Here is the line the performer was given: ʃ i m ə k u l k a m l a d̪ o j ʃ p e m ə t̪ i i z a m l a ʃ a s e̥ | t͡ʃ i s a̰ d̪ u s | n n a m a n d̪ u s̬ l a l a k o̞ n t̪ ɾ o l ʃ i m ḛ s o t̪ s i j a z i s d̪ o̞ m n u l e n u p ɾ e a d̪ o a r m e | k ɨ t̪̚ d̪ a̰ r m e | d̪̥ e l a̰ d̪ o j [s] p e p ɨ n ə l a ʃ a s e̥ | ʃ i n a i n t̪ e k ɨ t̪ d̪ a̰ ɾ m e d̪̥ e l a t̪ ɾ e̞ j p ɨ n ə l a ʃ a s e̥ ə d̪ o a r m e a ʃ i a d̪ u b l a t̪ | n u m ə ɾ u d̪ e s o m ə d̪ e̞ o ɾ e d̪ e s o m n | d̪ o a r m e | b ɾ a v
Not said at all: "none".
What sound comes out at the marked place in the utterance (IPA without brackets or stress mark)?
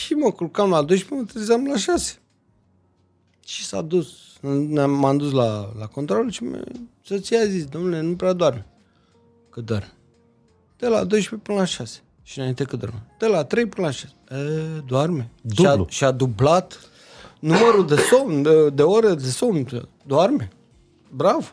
ʃ